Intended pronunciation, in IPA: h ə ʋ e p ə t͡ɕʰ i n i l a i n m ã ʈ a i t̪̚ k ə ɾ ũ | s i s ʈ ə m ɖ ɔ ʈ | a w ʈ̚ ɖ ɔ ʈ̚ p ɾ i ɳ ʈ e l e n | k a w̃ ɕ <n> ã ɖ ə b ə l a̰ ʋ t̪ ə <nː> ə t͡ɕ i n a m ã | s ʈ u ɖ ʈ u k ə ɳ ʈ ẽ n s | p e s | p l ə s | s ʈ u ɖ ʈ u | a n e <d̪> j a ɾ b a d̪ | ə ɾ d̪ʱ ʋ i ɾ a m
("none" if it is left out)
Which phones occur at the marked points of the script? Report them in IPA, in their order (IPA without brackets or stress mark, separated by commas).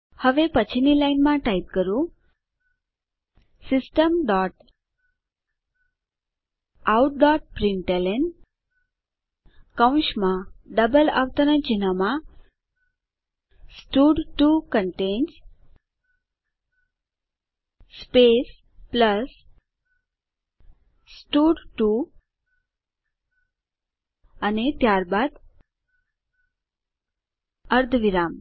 m, n, t̪